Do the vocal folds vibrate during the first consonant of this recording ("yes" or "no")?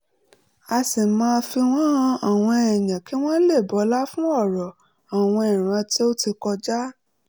no